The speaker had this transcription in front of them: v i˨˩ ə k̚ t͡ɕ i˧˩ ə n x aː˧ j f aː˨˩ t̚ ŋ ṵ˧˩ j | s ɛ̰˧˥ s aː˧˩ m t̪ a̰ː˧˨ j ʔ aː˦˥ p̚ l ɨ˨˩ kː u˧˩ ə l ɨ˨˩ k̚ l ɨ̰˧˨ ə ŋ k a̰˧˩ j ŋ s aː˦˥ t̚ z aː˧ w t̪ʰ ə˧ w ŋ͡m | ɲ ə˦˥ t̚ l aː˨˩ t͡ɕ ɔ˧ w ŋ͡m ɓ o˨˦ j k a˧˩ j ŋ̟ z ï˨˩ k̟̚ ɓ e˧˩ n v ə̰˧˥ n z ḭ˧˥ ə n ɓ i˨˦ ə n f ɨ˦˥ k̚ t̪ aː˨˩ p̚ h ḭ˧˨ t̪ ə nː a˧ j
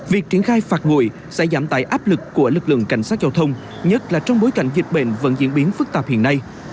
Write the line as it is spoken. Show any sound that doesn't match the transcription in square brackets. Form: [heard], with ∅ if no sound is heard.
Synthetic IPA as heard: v i˨˩ ə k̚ t͡ɕ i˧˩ ə n x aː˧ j f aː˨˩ t̚ ŋ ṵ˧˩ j | s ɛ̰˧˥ [z] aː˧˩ m t̪ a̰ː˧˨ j ʔ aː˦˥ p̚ l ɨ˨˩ kː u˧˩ ə l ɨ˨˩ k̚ l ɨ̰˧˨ ə ŋ k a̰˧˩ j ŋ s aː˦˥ t̚ z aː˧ w t̪ʰ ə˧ w ŋ͡m | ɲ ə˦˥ t̚ l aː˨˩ t͡ɕ ɔ˧ w ŋ͡m ɓ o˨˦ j k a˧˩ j ŋ̟ z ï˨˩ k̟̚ ɓ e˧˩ n v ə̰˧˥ n z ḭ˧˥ ə n ɓ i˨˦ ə n f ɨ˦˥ k̚ t̪ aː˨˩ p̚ h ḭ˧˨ [∅] ə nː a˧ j

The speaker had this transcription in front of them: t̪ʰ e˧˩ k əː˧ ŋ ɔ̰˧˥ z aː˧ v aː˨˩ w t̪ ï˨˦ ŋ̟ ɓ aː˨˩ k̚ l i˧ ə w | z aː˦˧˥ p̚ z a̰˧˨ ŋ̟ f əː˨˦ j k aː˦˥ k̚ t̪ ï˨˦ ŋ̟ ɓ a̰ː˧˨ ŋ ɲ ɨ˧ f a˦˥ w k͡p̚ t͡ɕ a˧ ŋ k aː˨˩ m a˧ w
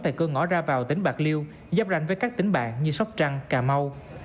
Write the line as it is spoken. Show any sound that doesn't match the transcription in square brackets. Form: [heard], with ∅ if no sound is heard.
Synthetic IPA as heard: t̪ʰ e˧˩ k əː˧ ŋ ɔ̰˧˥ z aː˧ v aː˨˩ w t̪ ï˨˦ ŋ̟ ɓ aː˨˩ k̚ l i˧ ə w | z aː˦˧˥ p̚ z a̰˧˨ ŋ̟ [v] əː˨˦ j k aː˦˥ k̚ t̪ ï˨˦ ŋ̟ ɓ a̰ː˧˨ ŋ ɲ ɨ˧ [s] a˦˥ w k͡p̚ t͡ɕ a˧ ŋ k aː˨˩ m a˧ w

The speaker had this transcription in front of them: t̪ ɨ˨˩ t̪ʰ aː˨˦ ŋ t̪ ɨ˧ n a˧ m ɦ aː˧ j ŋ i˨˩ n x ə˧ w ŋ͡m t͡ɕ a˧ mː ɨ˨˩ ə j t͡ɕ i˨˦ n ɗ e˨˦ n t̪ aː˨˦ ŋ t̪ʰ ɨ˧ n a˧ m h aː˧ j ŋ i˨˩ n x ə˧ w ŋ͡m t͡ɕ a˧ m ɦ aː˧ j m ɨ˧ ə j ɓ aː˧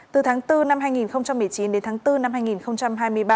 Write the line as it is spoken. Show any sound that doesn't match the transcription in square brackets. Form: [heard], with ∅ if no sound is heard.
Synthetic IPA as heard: t̪ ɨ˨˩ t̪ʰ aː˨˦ ŋ t̪ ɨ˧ n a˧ m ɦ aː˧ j ŋ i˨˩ n x ə˧ w ŋ͡m t͡ɕ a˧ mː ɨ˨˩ ə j t͡ɕ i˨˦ n ɗ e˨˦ n t̪ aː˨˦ ŋ [t̪] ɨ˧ n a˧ m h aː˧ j ŋ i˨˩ n x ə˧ w ŋ͡m t͡ɕ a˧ m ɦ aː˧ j m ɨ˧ ə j ɓ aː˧

